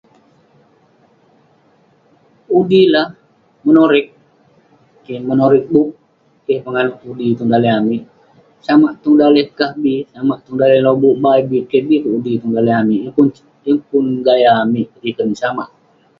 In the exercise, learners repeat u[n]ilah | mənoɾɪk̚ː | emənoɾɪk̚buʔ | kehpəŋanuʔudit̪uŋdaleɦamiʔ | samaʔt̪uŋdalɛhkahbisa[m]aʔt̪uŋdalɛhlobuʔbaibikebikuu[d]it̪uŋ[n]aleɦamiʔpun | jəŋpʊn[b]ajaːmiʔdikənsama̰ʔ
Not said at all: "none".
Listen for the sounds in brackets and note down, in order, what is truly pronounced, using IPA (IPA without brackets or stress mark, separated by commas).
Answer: d, m, d, d, ɡ